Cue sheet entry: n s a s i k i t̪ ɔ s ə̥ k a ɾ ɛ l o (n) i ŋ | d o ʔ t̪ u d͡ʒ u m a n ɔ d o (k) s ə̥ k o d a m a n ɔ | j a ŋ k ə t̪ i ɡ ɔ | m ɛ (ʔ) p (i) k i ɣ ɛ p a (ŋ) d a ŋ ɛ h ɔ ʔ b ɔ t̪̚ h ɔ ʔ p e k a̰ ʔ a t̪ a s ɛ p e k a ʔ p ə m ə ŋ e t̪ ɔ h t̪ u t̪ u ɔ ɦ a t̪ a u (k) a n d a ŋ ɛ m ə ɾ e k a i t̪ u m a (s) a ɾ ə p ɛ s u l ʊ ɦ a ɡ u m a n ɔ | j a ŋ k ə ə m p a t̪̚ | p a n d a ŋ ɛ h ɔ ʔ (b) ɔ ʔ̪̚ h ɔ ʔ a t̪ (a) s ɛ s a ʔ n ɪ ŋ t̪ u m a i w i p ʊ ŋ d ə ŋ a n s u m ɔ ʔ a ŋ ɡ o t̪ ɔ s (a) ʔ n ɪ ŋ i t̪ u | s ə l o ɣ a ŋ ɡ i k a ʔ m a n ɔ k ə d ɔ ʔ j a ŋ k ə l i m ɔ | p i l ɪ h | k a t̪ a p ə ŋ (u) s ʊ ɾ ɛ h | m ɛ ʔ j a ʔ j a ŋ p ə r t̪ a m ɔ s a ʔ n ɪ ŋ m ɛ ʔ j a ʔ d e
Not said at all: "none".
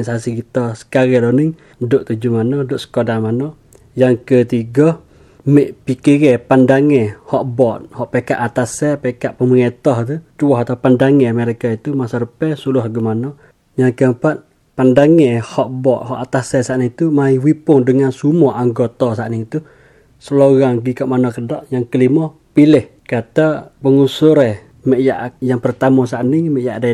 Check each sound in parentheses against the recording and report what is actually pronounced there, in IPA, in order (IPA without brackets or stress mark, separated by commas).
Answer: n, ʔ, ʔ, i, n, p, s, b, a, a, u